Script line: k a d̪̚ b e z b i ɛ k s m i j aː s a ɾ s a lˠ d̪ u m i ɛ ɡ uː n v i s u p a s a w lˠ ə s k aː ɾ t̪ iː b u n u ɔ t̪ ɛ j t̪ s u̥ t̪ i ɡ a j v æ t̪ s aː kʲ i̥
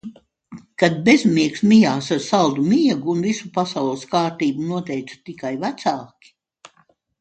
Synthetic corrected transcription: k a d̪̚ b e z m i ɛ k s m i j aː s a ɾ s a lˠ d̪ u m i ɛ ɡ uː n v i s u p a s a w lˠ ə s k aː ɾ t̪ iː b u n u ɔ t̪ ɛ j t̪ s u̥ t̪ i k a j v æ t̪ s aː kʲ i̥